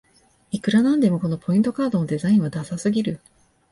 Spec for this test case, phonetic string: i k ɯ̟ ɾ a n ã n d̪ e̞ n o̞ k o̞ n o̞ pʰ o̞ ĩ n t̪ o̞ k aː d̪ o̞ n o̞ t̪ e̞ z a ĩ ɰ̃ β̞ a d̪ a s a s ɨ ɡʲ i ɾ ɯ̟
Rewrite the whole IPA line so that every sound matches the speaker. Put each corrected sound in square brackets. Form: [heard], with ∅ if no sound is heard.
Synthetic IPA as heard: i k ɯ̟ ɾ a n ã n d̪ e̞ [m] o̞ k o̞ n o̞ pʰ o̞ ĩ n t̪ o̞ k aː d̪ o̞ n o̞ [d̪] e̞ z a ĩ ɰ̃ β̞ a d̪ a s a s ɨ ɡʲ i ɾ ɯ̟